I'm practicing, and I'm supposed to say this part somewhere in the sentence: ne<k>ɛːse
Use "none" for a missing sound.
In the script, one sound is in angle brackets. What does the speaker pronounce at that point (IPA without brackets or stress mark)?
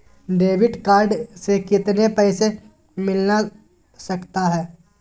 p